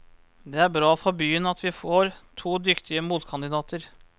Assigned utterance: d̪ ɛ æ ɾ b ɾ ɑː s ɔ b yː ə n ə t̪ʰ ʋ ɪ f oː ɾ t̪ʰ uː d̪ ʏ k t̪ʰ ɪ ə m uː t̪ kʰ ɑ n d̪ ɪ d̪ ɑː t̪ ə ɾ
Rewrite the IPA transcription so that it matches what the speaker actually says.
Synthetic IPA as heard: d̪ ɛ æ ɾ b ɾ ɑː f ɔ b yː ə n ɑ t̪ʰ ʋ ɪ f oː ɾ t̪ʰ uː d̪ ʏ k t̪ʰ ɪ ə m uː t̪ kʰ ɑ n d̪ ɪ d̪ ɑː t̪ ə ɾ